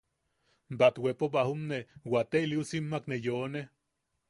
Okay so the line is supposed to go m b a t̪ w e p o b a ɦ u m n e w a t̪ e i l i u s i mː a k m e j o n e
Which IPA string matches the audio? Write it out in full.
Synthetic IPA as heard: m b a t̪ w e p o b a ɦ u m n e w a t̪ e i l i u s i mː a k n e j o n e

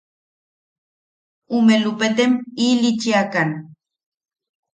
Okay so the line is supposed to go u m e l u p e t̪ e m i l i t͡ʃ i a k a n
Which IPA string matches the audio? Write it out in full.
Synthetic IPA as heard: u m e l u p e t̪ e m i l i t͡ʃ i a k a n

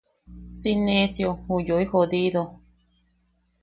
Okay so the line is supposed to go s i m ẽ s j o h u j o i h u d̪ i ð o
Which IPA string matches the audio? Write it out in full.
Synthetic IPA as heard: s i n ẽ s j o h u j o i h o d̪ i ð o

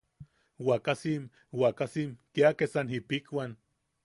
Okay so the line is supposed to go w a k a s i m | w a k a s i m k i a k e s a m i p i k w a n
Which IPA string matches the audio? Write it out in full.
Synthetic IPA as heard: w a k a s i m | w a k a s i m k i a k e s a n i p i k w a n

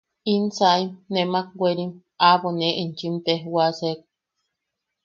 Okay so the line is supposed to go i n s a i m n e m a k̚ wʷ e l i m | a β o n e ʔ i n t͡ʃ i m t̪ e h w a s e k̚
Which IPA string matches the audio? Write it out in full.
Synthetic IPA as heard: i n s a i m n e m a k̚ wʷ e ɾ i m | a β o n e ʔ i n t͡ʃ i m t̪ e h w a s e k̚

